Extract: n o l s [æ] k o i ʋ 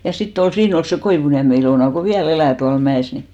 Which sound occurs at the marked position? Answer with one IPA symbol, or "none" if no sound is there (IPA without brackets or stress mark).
e